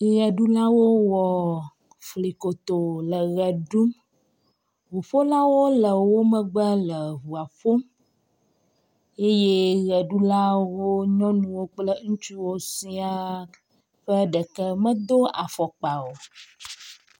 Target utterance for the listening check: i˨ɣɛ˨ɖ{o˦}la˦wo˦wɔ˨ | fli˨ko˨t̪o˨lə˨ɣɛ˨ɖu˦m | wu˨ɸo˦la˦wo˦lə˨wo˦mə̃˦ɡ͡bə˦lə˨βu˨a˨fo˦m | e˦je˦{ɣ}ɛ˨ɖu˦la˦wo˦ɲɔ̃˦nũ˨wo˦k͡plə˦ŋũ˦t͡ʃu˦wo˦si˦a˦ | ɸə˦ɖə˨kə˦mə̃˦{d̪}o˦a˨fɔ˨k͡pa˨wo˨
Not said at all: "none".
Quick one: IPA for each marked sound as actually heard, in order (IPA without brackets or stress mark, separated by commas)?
u˦, ɣ, d̪